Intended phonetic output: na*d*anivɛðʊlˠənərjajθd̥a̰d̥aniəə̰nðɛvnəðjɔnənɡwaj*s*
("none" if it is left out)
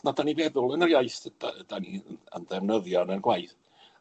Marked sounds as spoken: d, θ

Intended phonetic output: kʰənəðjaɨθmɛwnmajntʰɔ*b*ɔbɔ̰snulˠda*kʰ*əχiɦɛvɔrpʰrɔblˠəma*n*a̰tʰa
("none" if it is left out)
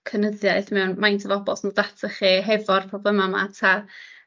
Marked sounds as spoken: v, tʰ, m

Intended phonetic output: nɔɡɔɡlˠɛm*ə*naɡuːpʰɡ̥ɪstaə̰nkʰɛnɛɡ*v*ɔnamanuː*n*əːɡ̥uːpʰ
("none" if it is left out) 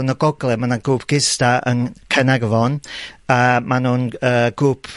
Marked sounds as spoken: a, v, n

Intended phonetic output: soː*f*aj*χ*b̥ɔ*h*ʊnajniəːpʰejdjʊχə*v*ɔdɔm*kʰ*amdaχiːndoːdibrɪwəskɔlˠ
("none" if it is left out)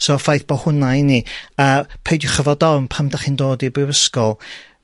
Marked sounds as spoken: f, θ, h, v, pʰ

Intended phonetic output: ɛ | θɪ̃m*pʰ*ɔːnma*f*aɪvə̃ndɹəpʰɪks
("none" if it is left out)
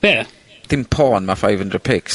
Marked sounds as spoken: pʰ, f

